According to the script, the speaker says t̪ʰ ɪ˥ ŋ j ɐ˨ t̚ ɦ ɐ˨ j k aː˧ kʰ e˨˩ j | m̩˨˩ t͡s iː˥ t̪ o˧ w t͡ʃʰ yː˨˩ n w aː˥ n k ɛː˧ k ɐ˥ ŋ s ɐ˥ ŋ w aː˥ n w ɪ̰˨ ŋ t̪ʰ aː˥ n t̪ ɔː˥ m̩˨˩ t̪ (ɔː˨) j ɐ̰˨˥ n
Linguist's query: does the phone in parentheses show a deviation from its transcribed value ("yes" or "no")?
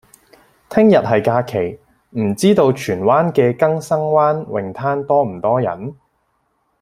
yes